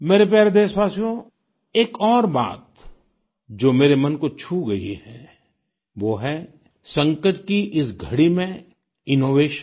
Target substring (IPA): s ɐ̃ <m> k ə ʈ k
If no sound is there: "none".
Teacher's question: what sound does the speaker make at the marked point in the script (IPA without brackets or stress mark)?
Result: ŋ